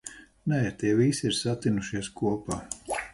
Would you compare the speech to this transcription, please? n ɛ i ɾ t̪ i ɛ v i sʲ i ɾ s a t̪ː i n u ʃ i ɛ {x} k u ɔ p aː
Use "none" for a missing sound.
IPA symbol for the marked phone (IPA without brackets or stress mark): s